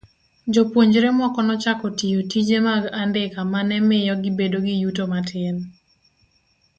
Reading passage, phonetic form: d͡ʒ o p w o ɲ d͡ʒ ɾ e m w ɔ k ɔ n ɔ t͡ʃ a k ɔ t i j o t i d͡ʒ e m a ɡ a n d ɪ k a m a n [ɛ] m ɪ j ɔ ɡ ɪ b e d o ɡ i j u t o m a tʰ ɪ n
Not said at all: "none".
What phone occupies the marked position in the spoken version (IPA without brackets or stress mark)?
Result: ɛ